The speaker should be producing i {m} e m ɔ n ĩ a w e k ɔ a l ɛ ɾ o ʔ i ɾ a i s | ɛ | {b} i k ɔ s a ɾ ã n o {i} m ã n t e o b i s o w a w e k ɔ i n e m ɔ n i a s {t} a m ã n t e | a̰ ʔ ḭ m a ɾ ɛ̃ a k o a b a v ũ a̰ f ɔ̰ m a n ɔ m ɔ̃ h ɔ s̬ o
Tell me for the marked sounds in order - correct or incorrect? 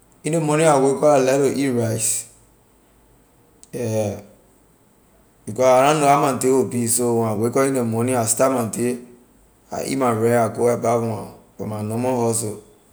incorrect, correct, incorrect, correct

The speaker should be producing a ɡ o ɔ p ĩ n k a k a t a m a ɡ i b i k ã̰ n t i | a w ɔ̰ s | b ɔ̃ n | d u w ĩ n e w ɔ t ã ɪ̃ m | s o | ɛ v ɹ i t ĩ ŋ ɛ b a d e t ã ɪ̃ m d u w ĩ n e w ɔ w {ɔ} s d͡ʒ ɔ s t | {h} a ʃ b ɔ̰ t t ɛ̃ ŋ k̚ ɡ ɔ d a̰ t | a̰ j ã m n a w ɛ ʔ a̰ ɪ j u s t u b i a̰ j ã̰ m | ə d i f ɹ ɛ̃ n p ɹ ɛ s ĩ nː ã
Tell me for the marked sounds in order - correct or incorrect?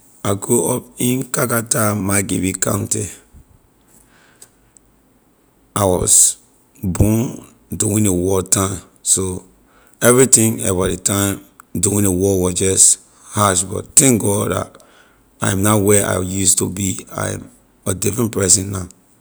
correct, correct

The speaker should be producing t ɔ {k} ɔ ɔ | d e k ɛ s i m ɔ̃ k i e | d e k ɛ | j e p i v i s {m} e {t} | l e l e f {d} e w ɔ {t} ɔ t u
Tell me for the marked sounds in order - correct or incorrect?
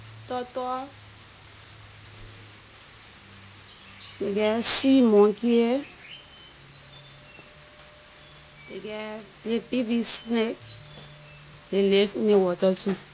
incorrect, incorrect, incorrect, incorrect, correct

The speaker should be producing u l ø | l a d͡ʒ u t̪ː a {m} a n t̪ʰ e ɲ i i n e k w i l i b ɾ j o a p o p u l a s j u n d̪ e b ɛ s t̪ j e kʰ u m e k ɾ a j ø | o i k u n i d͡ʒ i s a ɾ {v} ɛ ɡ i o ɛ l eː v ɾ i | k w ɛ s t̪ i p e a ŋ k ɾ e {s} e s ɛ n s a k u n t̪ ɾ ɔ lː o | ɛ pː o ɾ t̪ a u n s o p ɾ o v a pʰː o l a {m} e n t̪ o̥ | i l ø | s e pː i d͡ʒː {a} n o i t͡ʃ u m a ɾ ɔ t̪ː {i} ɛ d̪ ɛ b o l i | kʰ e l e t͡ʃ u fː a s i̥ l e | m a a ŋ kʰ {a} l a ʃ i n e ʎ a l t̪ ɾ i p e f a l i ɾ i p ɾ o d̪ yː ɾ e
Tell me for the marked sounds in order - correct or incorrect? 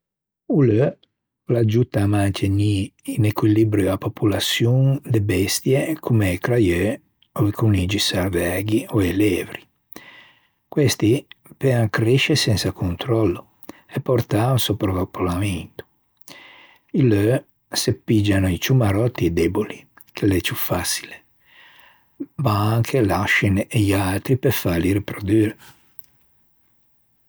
correct, correct, incorrect, correct, correct, correct, incorrect

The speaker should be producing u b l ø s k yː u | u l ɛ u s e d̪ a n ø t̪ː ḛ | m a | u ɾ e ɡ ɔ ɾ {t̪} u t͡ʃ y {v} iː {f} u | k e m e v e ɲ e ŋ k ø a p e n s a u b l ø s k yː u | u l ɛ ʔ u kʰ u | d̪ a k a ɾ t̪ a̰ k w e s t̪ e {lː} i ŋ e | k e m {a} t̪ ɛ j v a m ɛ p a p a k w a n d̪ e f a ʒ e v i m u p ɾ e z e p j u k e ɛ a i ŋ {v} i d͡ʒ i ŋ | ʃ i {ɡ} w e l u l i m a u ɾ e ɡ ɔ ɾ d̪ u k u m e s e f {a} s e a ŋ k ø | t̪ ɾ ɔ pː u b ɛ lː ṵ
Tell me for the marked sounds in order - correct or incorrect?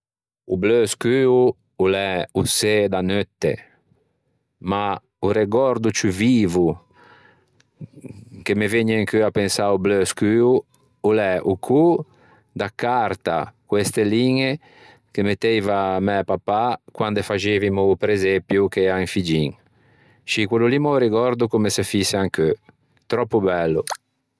incorrect, correct, incorrect, incorrect, incorrect, incorrect, incorrect, incorrect

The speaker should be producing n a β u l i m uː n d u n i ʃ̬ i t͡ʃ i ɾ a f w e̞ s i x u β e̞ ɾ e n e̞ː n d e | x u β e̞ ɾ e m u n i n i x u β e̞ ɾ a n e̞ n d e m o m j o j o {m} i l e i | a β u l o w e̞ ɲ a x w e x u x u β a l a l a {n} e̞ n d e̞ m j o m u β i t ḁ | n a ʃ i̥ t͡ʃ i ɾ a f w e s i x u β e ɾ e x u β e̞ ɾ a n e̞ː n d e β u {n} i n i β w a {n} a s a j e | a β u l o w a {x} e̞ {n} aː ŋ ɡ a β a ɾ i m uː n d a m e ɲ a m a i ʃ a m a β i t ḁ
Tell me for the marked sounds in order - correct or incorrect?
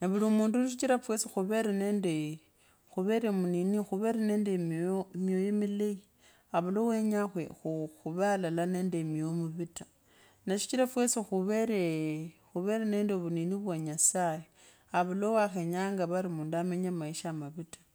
correct, correct, correct, incorrect, correct, incorrect

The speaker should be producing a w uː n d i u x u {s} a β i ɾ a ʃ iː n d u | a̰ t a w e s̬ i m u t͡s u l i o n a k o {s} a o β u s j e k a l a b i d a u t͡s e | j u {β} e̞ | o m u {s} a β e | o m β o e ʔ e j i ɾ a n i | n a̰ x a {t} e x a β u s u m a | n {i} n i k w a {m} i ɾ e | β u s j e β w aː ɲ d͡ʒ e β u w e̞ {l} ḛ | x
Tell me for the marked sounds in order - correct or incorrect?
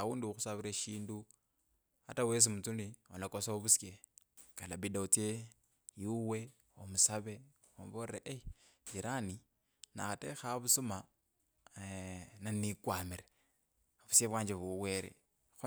correct, correct, incorrect, correct, correct, incorrect, correct, incorrect

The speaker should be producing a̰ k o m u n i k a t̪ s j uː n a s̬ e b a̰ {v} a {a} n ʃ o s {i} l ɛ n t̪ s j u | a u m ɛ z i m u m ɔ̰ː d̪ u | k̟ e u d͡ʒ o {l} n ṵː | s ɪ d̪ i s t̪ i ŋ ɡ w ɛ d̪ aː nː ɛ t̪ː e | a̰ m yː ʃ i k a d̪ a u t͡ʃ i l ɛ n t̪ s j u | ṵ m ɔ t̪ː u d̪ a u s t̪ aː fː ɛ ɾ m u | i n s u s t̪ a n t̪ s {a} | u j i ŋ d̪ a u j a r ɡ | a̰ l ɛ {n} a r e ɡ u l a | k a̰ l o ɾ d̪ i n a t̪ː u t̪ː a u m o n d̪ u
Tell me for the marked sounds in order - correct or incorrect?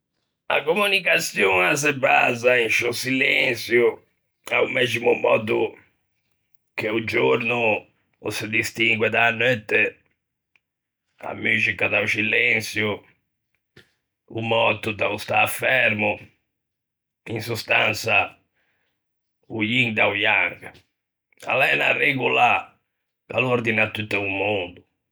incorrect, incorrect, correct, incorrect, correct, correct

